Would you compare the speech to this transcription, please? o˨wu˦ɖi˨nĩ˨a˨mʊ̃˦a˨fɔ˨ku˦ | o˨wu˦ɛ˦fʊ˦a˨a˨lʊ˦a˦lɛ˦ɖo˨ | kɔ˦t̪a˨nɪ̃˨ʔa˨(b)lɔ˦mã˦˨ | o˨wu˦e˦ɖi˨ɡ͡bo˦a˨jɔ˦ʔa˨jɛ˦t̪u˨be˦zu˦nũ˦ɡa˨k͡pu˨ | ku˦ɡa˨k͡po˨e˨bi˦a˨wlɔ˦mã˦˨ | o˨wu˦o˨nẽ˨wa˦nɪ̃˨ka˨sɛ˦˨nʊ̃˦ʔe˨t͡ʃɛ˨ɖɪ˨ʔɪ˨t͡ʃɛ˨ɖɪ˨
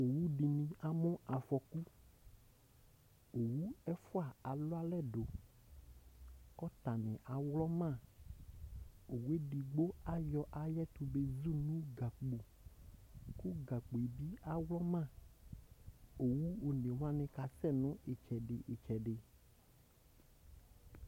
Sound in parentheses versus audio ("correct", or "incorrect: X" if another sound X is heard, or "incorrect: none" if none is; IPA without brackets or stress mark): incorrect: w